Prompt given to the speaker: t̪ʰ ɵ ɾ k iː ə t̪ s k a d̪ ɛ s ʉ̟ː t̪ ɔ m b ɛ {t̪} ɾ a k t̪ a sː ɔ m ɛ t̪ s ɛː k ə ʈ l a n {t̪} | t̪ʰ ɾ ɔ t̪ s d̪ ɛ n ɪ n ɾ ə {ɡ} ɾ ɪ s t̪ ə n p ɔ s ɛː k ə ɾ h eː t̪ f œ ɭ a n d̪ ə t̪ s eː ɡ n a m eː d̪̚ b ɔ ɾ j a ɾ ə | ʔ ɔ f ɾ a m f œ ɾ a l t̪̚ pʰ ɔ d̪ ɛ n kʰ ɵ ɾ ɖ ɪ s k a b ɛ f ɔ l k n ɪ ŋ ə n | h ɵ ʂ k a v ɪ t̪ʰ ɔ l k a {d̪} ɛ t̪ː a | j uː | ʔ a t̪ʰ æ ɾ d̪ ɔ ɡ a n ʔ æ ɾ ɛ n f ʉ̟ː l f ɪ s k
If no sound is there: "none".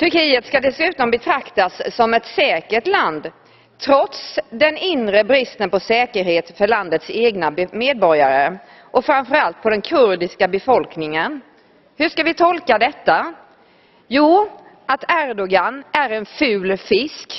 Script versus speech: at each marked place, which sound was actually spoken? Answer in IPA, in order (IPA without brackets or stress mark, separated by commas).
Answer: t̪ʰ, d̪, b, d̪